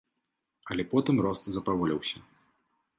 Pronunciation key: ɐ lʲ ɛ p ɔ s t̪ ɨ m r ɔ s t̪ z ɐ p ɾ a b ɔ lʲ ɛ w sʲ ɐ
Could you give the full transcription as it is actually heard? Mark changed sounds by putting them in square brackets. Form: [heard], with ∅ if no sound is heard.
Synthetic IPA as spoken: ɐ lʲ ɛ p ɔ [∅] t̪ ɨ m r ɔ s t̪ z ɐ p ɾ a [v] ɔ lʲ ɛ w sʲ ɐ